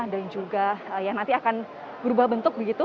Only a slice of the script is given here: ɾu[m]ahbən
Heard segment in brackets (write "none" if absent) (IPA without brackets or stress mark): b